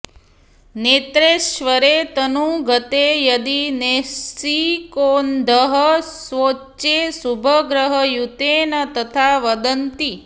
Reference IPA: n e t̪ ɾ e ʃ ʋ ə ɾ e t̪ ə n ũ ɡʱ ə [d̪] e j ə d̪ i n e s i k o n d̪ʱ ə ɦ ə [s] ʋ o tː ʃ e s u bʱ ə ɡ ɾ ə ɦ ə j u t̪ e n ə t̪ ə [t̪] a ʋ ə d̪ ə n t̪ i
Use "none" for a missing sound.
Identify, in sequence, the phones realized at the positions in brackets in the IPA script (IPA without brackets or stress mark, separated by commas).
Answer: t̪, s, t̪ʰ